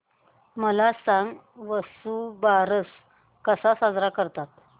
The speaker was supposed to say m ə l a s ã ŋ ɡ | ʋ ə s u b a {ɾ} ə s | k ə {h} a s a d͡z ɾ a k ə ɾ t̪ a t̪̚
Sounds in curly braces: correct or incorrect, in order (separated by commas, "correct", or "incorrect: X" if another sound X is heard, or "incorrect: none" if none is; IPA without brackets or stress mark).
correct, incorrect: s